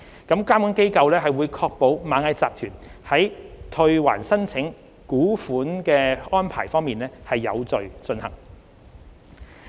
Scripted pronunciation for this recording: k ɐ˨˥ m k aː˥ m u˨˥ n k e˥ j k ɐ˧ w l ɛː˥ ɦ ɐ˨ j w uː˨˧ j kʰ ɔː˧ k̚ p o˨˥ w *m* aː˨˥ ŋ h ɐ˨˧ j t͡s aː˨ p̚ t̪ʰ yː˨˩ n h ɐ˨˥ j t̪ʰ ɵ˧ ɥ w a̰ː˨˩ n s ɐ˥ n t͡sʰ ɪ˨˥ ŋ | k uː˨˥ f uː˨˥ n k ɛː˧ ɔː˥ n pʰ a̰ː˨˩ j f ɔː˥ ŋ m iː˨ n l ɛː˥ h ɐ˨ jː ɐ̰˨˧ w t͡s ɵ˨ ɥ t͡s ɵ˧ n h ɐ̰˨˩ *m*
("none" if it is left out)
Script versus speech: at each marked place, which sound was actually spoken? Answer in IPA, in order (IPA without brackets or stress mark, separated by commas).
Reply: m, ŋ